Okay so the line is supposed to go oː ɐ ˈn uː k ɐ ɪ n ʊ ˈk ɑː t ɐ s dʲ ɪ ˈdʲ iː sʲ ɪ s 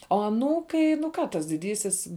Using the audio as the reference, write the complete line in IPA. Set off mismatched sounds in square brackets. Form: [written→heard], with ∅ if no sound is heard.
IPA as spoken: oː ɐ ˈn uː k ɐ ɪ n ʊ ˈk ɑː t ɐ s dʲ ɪ ˈdʲ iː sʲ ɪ s

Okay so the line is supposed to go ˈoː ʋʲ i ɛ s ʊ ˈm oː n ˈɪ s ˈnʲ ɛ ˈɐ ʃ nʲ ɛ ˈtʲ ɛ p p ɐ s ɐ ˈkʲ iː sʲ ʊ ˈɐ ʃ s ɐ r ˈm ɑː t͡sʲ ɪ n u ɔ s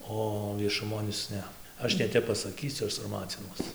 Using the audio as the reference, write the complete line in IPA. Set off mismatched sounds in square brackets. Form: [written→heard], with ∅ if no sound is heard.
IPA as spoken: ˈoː ʋʲ i ɛ [s→ʃ] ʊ ˈm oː n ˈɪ s ˈnʲ ɛ ˈɐ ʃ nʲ ɛ ˈtʲ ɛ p p ɐ s ɐ ˈkʲ iː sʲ ʊ ˈɐ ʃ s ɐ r ˈm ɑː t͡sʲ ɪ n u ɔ s

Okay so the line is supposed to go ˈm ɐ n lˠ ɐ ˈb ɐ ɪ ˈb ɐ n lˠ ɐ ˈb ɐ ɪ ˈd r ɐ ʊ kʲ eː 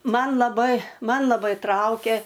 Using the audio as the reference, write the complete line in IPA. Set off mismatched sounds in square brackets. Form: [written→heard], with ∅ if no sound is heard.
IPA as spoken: ˈm ɐ n lˠ ɐ ˈb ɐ ɪ [ˈb→ˈm] ɐ n lˠ ɐ ˈb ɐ ɪ [ˈd→ˈt] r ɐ ʊ kʲ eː

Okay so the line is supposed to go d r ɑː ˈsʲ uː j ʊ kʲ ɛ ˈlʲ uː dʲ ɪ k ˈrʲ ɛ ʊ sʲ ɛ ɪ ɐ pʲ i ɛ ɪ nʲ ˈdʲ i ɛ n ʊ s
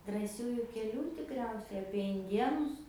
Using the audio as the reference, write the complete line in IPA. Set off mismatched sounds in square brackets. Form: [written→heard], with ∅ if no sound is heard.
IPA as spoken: d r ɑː ˈsʲ uː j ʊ kʲ ɛ ˈlʲ uː [dʲ→tʲ] ɪ k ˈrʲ ɛ ʊ sʲ ɛ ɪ ɐ pʲ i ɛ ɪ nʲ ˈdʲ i ɛ n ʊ s

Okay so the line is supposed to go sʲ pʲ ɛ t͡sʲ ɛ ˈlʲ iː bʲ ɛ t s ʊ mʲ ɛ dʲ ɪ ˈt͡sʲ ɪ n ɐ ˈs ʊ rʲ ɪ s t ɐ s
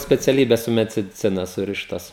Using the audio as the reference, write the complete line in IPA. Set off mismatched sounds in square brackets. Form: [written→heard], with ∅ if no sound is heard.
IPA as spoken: sʲ pʲ ɛ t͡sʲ ɛ ˈlʲ iː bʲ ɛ [t→s] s ʊ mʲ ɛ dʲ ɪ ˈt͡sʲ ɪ n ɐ ˈs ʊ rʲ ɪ [s→ʃ] t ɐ s

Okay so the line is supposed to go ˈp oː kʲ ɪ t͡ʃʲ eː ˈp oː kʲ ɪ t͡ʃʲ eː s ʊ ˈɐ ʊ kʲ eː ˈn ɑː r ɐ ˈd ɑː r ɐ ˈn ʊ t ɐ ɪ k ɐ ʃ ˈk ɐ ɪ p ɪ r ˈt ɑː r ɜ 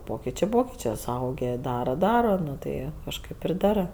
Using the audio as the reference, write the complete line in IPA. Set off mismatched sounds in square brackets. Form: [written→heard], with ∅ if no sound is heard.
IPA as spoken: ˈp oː kʲ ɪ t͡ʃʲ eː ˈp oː kʲ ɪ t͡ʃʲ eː s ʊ ˈɐ ʊ [kʲ→ɡʲ] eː [ˈn→ˈd] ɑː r ɐ ˈd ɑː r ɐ ˈn ʊ t ɐ ɪ k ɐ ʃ ˈk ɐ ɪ p ɪ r [ˈt→ˈd] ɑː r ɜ

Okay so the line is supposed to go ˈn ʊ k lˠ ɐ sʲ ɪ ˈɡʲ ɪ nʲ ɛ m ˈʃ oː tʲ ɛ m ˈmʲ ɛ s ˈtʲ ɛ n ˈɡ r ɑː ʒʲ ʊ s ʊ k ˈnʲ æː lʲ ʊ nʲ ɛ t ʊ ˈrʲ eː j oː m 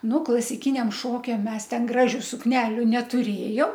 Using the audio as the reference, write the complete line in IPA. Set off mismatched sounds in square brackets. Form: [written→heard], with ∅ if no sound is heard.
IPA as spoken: ˈn ʊ k lˠ ɐ sʲ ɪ [ˈɡʲ→ˈkʲ] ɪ nʲ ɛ m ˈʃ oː [tʲ→kʲ] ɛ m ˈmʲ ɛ s ˈtʲ ɛ n ˈɡ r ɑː ʒʲ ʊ s ʊ k ˈnʲ æː lʲ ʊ nʲ ɛ t ʊ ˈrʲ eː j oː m

